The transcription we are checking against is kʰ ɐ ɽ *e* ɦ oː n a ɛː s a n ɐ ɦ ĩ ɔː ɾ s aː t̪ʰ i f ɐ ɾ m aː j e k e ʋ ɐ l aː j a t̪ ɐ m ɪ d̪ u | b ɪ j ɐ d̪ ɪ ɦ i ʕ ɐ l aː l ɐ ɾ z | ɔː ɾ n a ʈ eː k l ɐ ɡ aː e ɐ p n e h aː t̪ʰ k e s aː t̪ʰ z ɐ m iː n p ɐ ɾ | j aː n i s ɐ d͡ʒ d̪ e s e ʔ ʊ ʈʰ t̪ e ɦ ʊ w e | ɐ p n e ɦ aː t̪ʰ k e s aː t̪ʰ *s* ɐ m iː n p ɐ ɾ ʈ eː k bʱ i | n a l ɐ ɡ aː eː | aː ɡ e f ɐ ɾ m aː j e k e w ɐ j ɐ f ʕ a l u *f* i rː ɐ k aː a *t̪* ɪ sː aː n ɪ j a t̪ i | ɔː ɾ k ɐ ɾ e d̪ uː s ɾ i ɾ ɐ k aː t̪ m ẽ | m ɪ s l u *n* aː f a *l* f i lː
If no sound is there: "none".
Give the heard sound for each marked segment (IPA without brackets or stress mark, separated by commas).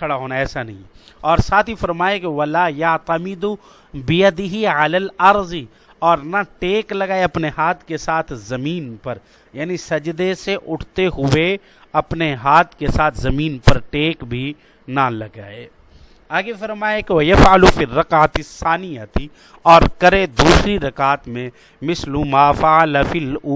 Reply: a, z, f, t̪, m, l